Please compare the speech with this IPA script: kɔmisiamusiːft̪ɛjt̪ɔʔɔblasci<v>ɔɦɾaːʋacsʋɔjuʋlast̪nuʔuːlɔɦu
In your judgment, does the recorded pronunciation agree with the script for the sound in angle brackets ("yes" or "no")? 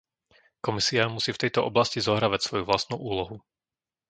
no